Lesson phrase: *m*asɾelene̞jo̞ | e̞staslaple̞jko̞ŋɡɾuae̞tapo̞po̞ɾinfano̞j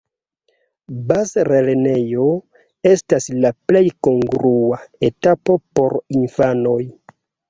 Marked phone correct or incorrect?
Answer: incorrect: b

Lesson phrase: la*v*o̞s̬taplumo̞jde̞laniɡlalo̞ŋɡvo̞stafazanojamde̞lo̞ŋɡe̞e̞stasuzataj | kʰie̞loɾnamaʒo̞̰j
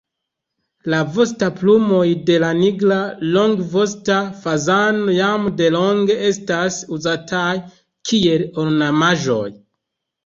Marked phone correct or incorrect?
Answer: correct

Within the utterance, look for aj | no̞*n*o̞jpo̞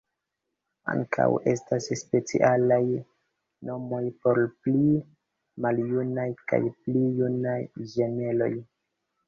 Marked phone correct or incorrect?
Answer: incorrect: m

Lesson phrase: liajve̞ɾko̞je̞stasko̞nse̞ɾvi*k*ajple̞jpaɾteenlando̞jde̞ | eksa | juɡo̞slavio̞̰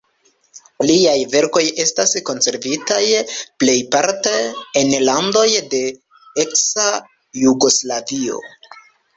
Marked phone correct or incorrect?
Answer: incorrect: t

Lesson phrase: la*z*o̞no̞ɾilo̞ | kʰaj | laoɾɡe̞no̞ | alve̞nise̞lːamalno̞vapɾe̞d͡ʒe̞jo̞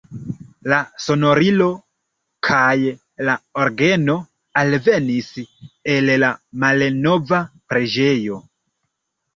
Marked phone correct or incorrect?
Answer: incorrect: s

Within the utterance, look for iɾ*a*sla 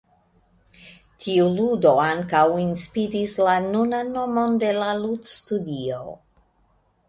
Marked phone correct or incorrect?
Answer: incorrect: i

